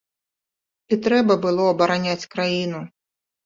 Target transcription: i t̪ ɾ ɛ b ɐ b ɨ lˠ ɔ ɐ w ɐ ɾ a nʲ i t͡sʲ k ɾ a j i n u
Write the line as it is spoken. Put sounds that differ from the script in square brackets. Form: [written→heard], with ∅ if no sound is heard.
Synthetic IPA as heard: i t̪ ɾ ɛ b ɐ b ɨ lˠ ɔ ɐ [w→b] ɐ ɾ a nʲ [i→a] t͡sʲ k ɾ a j i n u